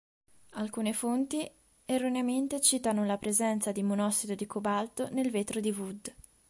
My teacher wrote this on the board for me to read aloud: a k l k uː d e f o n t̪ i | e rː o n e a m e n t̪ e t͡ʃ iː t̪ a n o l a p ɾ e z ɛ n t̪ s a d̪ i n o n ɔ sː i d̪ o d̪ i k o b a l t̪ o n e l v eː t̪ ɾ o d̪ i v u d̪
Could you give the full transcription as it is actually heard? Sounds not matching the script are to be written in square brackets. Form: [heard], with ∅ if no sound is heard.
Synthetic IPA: a [∅] l k uː [n] e f o n t̪ i | e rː o n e a m e n t̪ e t͡ʃ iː t̪ a n o l a p ɾ e z ɛ n t̪ s a d̪ i [m] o n ɔ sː i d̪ o d̪ i k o b a l t̪ o n e l v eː t̪ ɾ o d̪ i v u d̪

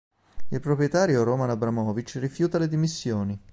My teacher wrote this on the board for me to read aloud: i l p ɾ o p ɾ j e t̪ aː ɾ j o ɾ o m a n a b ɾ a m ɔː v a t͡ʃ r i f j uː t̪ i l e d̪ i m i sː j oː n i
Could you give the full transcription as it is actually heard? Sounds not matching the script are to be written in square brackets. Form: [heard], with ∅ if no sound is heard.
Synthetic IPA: i l p ɾ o p ɾ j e t̪ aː ɾ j o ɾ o m a n a b ɾ a m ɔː v [i] t͡ʃ r i f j uː t̪ [a] l e d̪ i m i sː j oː n i

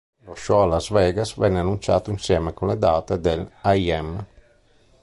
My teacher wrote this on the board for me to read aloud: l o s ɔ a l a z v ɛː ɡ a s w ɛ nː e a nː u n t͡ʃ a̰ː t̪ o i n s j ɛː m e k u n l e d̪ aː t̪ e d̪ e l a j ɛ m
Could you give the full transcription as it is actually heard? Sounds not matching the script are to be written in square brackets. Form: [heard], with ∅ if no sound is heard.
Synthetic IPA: l o [ʃ] ɔ a l a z v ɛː ɡ a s [v] ɛ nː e a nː u n t͡ʃ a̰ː t̪ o i n s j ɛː m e k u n l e d̪ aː t̪ e d̪ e l a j ɛ m

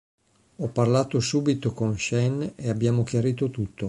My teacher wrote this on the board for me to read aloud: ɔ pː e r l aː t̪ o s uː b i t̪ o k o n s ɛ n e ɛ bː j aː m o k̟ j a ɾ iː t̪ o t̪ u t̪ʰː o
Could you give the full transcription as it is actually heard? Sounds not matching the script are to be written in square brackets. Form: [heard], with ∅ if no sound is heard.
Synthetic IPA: ɔ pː [a] r l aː t̪ o s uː b i t̪ o k o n [ʃ] ɛ n e [a] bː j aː m o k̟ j a ɾ iː t̪ o t̪ u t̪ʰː o

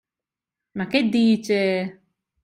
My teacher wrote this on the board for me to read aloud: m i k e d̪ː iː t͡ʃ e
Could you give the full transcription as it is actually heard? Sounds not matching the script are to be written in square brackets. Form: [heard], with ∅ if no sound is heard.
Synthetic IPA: m [a] k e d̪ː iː t͡ʃ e

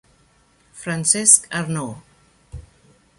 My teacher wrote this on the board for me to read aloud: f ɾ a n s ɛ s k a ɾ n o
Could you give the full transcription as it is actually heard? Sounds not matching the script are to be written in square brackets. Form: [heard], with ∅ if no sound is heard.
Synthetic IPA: f ɾ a n s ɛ s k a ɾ n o

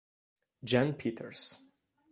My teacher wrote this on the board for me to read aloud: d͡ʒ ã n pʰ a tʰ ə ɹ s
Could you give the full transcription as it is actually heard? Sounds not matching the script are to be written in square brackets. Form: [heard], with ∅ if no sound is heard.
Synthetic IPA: d͡ʒ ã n pʰ [i] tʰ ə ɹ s

